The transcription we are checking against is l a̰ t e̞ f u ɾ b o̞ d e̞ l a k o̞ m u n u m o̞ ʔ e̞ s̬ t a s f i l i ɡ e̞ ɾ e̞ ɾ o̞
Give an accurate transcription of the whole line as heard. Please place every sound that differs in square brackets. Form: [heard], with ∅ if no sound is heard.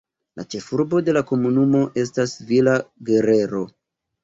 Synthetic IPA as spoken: l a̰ [t͡ʃ] e̞ f u ɾ b o̞ d e̞ l a k o̞ m u n u m o̞ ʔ e̞ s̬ t a s [v] i l [a] ɡ e̞ ɾ e̞ ɾ o̞